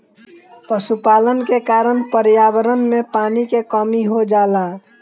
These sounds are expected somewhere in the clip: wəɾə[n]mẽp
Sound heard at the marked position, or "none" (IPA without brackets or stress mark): n